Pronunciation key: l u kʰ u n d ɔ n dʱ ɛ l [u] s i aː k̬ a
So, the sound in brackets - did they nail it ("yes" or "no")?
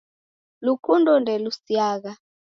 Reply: yes